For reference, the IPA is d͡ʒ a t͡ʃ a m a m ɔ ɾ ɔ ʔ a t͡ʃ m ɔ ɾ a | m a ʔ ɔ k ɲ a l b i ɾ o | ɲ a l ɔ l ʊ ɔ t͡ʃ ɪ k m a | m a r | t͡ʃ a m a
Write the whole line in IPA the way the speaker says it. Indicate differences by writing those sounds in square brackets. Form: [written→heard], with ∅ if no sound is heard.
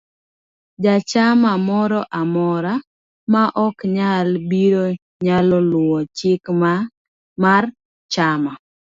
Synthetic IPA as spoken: d͡ʒ a t͡ʃ a m a m ɔ ɾ ɔ ʔ a [t͡ʃ→∅] m ɔ ɾ a | m a ʔ ɔ k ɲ a l b i ɾ o | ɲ a l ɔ l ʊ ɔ t͡ʃ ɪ k m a | m a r | t͡ʃ a m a